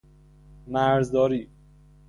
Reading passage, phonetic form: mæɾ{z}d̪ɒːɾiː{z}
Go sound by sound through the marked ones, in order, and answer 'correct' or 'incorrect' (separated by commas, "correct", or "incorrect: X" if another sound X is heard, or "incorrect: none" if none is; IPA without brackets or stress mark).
correct, incorrect: none